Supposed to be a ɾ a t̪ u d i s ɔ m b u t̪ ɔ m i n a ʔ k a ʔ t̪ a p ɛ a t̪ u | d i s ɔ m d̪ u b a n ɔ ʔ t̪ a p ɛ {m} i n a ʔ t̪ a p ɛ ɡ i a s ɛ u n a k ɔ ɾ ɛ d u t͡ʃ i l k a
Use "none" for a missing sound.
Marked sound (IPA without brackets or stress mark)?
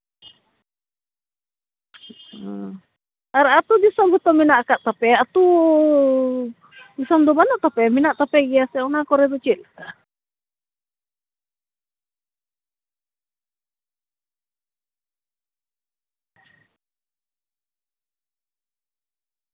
m